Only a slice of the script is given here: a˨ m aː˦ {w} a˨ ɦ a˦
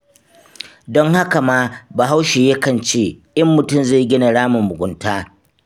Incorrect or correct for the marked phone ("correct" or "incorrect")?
incorrect